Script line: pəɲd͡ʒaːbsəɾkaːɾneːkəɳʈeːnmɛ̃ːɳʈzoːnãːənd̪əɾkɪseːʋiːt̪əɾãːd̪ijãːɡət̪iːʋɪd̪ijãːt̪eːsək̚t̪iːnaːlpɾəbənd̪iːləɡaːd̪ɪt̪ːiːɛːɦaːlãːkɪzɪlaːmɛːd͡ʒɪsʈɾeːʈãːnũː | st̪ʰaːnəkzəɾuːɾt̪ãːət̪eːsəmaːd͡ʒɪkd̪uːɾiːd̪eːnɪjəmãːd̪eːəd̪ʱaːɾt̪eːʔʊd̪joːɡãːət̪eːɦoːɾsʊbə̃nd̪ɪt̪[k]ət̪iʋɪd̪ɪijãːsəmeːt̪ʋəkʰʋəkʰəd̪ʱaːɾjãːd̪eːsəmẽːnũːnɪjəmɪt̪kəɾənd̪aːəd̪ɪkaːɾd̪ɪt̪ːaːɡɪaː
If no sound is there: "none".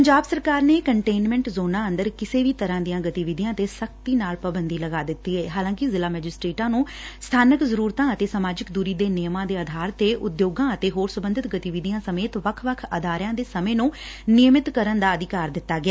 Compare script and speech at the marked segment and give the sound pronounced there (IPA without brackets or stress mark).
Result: ɡ